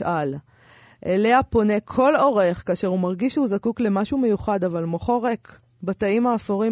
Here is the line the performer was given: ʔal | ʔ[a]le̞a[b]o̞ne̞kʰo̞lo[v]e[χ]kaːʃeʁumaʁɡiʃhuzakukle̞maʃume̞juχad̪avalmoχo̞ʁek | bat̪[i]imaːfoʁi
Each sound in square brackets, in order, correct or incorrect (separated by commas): incorrect, incorrect, incorrect, correct, incorrect